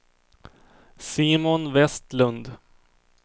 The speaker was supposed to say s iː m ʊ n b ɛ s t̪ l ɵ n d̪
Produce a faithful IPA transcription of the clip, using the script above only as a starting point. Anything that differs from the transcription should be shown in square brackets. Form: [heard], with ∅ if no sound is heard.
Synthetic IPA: s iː m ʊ n [v] ɛ s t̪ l ɵ n d̪

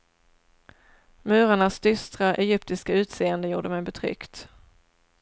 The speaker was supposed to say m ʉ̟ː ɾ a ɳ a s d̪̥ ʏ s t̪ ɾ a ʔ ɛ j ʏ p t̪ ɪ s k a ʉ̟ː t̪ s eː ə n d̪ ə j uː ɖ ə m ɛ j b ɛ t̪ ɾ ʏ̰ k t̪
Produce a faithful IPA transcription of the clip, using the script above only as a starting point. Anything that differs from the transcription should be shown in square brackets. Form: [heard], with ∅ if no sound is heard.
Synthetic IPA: m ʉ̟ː ɾ a ɳ a s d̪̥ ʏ s t̪ ɾ a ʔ ɛ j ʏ p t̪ ɪ s k a ʉ̟ː t̪ s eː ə n d̪ ə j uː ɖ ə m ɛ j b ɛ [t̪ʰ] ɾ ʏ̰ k t̪

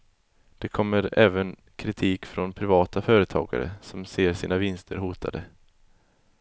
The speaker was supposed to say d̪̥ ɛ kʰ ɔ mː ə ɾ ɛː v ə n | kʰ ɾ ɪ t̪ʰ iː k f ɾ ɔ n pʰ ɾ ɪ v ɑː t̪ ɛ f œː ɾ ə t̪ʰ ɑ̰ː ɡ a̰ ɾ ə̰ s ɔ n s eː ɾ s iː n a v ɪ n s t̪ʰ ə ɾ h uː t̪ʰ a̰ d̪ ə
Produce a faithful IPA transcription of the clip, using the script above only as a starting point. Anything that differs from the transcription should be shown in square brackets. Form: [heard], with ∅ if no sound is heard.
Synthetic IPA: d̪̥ ɛ kʰ ɔ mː ə ɾ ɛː v ə n | kʰ ɾ ɪ t̪ʰ iː k f ɾ ɔ n pʰ ɾ ɪ v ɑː t̪ [a] f œː ɾ ə t̪ʰ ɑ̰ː ɡ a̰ ɾ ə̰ s ɔ [m] s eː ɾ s iː n a v ɪ n s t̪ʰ ə ɾ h uː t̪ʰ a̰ d̪ ə

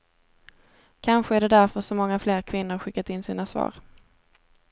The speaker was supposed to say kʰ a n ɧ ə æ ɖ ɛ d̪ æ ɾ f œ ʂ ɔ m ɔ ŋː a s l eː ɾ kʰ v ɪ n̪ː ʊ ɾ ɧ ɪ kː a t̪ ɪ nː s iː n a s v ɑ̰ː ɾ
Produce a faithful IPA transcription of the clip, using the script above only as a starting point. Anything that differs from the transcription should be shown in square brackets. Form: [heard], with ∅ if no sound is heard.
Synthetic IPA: kʰ a n ɧ ə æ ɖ ɛ d̪ æ ɾ f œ ʂ ɔ m ɔ ŋː a [f] l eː ɾ kʰ v ɪ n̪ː ʊ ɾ ɧ ɪ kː a t̪ ɪ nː s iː n a s v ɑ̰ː ɾ

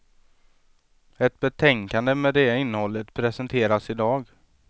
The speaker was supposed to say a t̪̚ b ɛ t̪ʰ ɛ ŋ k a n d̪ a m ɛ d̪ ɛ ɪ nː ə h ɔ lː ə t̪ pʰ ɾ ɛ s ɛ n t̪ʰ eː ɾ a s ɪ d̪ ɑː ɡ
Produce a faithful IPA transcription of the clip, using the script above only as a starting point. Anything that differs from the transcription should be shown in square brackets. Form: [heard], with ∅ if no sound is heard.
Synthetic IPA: [ɛ] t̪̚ b ɛ t̪ʰ ɛ ŋ k a n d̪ [ə] m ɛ d̪ ɛ ɪ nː ə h ɔ lː ə t̪ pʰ ɾ ɛ s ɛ n t̪ʰ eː ɾ a s ɪ d̪ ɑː ɡ

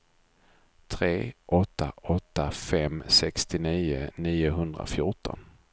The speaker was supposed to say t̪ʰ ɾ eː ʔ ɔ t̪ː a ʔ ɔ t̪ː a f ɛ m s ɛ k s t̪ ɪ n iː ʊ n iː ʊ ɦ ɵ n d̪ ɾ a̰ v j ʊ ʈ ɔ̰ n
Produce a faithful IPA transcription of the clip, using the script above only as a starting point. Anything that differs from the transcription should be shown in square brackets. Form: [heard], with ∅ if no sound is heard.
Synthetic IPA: t̪ʰ ɾ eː ʔ ɔ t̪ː a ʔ ɔ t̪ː a f ɛ m s ɛ k s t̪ ɪ n iː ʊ n iː ʊ ɦ ɵ n d̪ ɾ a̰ [f] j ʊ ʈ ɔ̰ n

